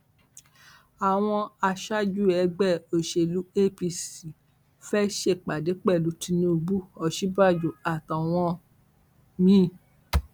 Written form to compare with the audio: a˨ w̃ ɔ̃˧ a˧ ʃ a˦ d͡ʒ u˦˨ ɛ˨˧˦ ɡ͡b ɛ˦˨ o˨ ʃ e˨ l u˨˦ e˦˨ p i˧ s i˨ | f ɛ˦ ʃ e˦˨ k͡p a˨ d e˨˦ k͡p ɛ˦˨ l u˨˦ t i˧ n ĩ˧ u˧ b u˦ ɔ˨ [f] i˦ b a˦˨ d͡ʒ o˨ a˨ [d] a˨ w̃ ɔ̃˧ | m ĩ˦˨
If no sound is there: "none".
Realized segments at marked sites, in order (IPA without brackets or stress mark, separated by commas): ʃ, t